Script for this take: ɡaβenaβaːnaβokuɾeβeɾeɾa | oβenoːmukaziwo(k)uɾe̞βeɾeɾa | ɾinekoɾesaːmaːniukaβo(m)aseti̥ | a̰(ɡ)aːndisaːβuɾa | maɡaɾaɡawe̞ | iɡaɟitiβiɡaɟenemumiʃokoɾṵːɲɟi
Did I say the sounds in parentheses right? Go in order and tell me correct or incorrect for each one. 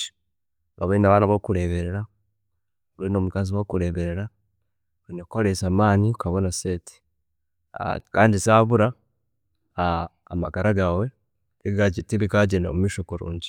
correct, incorrect: n, incorrect: k

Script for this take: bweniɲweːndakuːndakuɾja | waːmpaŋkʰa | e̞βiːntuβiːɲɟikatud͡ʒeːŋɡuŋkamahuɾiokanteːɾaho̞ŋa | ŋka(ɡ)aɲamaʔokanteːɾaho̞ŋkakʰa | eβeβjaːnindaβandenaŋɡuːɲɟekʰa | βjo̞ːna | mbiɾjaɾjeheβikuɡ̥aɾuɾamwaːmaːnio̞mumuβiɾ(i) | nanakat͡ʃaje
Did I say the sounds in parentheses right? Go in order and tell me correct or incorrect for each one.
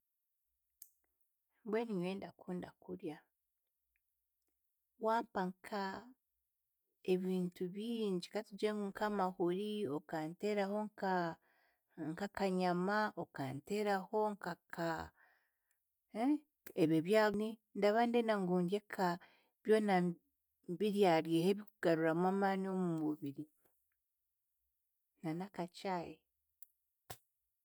incorrect: k, correct

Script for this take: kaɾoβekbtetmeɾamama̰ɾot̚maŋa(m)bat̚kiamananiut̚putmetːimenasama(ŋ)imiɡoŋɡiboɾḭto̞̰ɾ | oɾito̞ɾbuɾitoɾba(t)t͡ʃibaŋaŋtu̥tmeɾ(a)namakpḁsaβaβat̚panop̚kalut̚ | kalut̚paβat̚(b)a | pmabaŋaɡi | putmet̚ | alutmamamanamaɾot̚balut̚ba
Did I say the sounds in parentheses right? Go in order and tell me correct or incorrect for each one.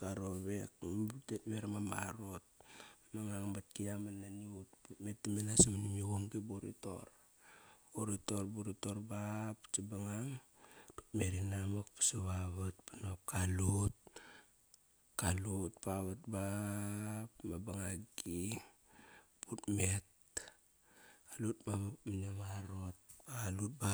incorrect: ŋ, incorrect: n, incorrect: p, incorrect: i, correct

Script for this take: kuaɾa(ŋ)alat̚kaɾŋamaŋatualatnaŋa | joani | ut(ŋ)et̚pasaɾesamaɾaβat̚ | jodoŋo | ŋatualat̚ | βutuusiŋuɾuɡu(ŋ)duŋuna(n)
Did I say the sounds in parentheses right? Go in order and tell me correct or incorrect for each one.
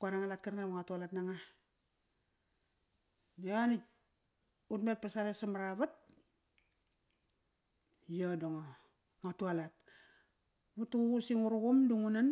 correct, incorrect: m, incorrect: m, correct

